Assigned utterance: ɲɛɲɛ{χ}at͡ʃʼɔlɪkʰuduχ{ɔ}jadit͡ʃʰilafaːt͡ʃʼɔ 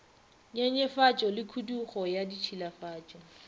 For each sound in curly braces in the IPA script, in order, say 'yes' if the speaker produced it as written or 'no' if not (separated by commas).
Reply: no, yes